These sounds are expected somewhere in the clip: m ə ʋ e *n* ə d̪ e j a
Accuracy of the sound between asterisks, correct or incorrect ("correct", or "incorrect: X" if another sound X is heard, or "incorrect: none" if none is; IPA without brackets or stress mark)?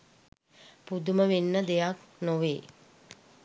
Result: incorrect: nː